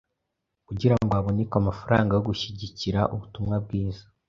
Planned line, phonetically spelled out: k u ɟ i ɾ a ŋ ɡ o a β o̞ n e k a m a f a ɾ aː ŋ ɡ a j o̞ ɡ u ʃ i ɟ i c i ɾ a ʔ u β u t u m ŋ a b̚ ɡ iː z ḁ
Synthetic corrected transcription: k u ɟ i ɾ a ŋ ɡ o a β o̞ n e k a m a f a ɾ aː ŋ ɡ a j o̞ ɡ u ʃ i ɟ i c i ɾ a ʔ u β u t u m ŋ a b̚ ɡ iː z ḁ